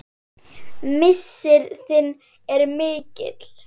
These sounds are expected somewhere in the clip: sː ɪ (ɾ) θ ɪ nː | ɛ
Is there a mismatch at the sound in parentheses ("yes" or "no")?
no